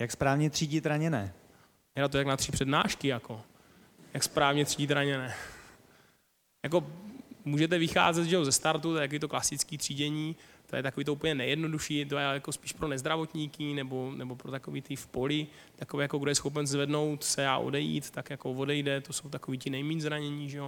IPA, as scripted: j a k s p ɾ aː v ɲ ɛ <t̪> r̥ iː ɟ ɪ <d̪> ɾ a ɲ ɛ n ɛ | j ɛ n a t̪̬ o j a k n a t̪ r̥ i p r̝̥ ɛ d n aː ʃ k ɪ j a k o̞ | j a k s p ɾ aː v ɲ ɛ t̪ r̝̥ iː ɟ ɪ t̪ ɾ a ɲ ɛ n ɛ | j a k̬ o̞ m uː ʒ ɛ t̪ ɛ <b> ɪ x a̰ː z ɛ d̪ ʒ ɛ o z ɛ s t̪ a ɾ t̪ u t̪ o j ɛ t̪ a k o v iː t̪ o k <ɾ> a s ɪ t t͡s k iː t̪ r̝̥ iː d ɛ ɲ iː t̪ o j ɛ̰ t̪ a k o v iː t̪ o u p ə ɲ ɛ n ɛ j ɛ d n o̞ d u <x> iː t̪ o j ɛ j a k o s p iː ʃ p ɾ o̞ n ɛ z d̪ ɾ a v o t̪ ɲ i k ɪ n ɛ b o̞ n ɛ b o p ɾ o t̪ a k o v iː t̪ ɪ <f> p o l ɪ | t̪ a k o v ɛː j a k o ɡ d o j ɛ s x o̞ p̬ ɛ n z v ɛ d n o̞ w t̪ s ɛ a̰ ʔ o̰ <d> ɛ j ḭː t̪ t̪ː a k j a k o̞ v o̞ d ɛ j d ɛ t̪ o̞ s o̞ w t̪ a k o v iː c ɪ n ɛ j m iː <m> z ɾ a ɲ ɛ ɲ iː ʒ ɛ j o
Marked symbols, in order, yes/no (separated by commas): yes, no, no, no, no, yes, yes, no